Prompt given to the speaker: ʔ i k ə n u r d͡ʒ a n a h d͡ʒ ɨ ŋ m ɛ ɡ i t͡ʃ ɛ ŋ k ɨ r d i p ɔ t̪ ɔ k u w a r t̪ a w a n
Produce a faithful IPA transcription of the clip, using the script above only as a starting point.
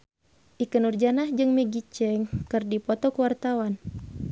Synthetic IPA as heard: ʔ i k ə n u r d͡ʒ a n a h d͡ʒ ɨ ŋ m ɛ ɡ i t͡ʃ ɛ ŋ k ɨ r d i p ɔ t̪ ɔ k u w a r t̪ a w a n